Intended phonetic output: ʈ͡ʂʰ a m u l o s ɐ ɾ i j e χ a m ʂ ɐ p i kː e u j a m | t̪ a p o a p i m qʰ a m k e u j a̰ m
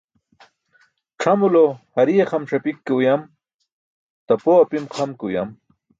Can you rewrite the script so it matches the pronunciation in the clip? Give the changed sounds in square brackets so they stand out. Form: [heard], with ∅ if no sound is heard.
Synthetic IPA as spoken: ʈ͡ʂʰ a m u l o [h] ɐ ɾ i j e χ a m ʂ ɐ p i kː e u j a m | t̪ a p o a p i m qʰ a m k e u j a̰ m